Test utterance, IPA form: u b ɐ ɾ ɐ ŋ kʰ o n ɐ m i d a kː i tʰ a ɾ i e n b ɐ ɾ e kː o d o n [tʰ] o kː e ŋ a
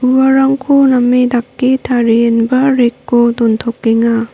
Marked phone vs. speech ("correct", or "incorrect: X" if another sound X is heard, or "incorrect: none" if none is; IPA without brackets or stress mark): correct